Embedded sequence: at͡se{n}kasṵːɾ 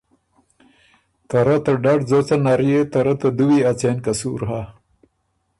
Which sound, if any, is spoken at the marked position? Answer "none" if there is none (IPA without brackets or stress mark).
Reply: n